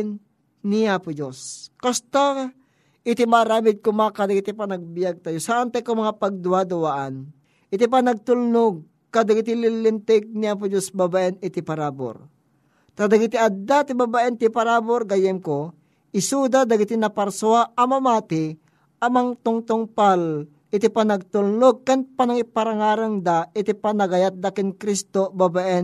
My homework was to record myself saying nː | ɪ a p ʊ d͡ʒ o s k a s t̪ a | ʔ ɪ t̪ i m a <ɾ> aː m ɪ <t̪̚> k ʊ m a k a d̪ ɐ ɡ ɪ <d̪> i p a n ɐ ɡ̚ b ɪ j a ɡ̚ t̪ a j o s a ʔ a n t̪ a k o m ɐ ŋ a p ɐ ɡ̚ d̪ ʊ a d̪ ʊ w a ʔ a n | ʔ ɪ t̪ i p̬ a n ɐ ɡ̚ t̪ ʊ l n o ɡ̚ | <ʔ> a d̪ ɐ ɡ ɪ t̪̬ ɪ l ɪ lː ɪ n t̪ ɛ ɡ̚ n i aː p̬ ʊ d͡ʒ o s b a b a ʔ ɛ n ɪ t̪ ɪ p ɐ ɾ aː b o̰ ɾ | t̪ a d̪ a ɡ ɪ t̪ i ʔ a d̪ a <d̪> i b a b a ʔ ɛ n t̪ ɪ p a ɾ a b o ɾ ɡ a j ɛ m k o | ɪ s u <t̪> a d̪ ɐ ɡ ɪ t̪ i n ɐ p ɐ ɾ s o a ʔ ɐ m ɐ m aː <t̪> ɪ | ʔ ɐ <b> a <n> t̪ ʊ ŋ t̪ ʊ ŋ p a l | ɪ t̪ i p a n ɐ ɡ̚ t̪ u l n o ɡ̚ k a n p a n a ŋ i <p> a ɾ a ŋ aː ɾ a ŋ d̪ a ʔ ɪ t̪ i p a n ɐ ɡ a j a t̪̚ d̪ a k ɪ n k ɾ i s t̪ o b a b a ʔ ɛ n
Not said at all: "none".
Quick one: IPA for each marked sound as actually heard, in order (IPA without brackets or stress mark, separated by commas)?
ɾ, d̪̚, t̪, k, t̪, d̪, t̪, m, ŋ, p